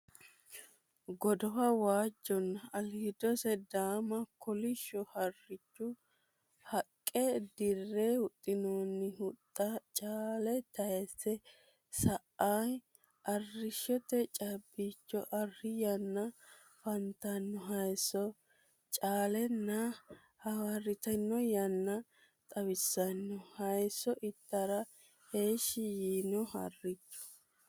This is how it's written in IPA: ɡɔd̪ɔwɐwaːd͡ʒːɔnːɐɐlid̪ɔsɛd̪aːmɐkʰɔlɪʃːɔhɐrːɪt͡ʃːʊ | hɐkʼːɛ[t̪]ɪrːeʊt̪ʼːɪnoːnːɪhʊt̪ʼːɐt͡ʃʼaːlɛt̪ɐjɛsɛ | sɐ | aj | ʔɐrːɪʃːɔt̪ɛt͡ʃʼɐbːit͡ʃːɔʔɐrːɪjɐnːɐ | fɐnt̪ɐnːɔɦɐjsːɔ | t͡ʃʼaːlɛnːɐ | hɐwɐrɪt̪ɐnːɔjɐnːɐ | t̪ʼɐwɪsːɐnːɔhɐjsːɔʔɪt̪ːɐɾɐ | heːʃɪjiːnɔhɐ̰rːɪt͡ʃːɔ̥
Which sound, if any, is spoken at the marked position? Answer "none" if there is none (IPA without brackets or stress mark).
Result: d̪